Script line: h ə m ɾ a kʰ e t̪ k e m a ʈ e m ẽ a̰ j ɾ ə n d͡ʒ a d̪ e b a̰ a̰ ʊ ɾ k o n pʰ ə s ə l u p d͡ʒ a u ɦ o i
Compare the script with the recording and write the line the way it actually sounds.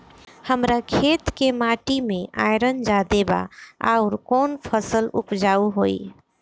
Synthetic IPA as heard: h ə m ɾ a kʰ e t̪ k e m a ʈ i m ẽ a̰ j ɾ ə n d͡ʒ a d̪ e b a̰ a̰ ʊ ɾ k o n pʰ ə s ə l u p d͡ʒ a u ɦ o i